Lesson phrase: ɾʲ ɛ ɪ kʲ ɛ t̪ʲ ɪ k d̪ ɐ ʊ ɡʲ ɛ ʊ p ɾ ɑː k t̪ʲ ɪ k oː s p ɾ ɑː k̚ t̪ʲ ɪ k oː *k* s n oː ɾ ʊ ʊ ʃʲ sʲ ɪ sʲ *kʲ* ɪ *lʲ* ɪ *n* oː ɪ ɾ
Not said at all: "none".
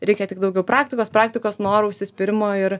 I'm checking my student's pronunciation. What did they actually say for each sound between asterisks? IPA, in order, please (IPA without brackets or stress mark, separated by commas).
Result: none, pʲ, ɾʲ, m